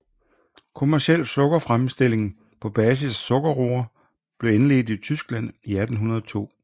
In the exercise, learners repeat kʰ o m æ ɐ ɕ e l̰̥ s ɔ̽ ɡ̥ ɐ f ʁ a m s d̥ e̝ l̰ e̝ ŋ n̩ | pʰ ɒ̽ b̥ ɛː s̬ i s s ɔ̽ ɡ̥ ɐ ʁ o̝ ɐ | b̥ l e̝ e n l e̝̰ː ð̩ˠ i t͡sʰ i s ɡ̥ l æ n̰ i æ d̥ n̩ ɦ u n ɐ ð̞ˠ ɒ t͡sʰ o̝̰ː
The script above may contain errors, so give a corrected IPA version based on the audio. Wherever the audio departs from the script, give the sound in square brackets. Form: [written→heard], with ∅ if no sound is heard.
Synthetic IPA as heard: kʰ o m æ ɐ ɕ e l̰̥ s ɔ̽ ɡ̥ ɐ f ʁ a m s d̥ e̝ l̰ e̝ ŋ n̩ | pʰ ɒ̽ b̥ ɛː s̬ i s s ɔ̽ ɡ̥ ɐ ʁ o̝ ɐ | b̥ l e̝ e n l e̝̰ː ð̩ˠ i t͡sʰ [i→y] s ɡ̥ l æ n̰ i æ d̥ n̩ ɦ u n ɐ ð̞ˠ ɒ t͡sʰ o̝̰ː